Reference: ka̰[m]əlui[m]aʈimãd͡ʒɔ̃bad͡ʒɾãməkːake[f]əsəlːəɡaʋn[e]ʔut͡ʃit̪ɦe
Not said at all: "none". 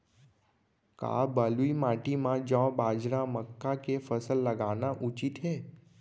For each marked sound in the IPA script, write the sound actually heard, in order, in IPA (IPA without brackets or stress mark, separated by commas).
b, m, f, a